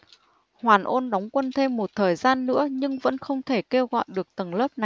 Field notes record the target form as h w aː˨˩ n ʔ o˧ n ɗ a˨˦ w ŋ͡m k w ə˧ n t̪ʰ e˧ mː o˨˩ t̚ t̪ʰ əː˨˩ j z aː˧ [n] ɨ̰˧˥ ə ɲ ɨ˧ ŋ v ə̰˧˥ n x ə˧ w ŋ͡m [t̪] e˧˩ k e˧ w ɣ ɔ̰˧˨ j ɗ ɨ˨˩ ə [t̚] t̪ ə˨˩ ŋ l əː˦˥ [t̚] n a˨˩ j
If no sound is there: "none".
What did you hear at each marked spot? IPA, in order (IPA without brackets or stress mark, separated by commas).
nː, t̪ʰ, k̚, p̚